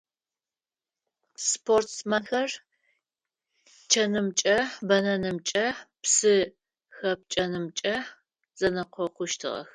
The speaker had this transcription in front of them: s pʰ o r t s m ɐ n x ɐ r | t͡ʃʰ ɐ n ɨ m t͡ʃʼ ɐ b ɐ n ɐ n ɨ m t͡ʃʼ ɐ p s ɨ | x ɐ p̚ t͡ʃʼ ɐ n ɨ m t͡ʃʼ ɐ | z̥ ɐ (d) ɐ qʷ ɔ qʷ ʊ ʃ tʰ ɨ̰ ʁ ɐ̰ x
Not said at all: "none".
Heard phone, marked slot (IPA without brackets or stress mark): n